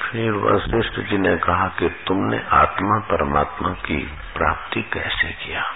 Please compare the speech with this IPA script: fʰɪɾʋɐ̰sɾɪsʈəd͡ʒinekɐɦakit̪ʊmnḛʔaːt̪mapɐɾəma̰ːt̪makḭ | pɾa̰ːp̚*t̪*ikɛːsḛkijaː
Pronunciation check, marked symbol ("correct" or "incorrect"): correct